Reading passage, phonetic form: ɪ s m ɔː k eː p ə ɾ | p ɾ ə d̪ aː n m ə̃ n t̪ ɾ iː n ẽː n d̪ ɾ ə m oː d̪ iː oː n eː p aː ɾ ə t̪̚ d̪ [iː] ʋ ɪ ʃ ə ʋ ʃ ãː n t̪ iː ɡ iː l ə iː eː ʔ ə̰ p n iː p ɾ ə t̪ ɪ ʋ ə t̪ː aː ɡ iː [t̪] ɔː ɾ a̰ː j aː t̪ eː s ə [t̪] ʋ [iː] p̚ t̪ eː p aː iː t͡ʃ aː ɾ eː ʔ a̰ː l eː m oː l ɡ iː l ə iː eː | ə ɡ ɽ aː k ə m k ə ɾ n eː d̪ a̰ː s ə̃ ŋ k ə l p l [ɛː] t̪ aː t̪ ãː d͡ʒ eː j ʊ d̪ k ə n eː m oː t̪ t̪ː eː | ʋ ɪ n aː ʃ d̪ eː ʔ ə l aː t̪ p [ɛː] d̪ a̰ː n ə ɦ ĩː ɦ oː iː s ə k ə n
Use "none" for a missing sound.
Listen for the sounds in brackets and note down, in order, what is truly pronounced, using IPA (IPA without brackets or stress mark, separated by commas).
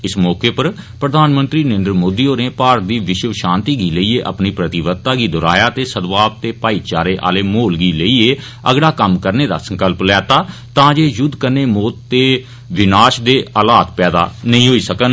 iː, d̪, d̪, aː, ɛː, ɛː